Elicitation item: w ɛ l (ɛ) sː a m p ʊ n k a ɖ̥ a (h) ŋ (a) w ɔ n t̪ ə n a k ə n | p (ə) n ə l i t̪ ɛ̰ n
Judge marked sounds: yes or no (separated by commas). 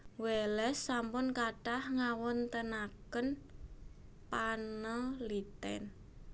yes, yes, yes, no